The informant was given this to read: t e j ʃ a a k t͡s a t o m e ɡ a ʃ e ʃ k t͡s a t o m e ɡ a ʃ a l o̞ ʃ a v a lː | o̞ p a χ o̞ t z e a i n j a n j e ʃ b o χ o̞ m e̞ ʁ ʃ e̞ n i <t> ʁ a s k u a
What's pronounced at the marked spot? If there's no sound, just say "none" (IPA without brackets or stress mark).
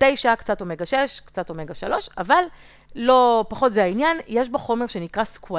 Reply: k